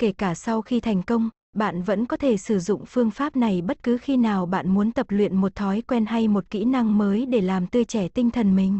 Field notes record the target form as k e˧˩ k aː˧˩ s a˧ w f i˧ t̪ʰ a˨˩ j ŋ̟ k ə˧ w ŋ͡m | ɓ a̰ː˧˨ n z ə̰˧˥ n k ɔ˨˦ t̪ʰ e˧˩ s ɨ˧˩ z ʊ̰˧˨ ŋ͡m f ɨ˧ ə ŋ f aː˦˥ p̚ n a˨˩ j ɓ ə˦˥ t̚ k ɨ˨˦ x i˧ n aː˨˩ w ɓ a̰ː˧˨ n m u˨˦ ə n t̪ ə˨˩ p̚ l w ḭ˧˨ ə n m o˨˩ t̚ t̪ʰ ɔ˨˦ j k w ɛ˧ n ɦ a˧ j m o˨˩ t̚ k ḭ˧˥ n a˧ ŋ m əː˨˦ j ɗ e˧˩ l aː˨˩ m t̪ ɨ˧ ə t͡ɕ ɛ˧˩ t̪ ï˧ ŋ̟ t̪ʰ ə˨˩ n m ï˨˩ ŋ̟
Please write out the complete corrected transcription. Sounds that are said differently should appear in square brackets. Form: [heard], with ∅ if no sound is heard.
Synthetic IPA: k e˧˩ k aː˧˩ s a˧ w [x] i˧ t̪ʰ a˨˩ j ŋ̟ k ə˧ w ŋ͡m | ɓ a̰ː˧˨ n [v] ə̰˧˥ n k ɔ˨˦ t̪ʰ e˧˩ s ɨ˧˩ z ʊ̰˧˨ ŋ͡m f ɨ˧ ə ŋ f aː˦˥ p̚ n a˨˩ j ɓ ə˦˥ t̚ k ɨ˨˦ x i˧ n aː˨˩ w ɓ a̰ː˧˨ n m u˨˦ ə n t̪ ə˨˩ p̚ l w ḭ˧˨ ə n m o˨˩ t̚ t̪ʰ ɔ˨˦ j k w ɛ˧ n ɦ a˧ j m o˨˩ t̚ k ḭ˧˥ n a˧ ŋ m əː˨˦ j ɗ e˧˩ l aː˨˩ m t̪ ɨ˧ ə t͡ɕ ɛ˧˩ t̪ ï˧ ŋ̟ t̪ʰ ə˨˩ n m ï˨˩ ŋ̟